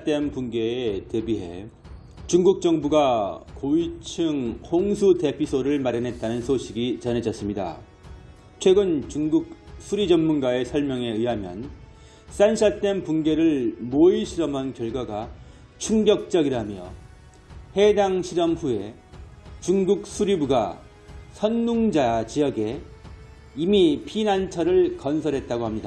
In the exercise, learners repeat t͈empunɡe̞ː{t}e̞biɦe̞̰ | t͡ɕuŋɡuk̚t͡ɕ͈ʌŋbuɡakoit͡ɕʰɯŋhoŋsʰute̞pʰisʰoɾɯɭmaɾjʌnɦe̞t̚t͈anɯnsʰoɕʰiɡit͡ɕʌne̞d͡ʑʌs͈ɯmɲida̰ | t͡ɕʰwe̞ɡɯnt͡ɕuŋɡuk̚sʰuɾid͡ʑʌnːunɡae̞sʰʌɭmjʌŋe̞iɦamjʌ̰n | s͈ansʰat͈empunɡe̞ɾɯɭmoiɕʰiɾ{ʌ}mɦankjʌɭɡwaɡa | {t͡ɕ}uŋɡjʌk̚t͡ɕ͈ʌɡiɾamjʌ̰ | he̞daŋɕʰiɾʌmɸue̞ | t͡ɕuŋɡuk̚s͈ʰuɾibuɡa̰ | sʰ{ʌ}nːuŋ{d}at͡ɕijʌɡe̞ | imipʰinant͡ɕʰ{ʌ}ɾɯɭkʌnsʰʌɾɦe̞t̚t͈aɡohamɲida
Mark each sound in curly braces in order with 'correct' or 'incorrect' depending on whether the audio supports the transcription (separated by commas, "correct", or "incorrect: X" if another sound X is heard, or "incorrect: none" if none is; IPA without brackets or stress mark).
correct, correct, incorrect: t͡ɕʰ, correct, incorrect: d͡ʑ, correct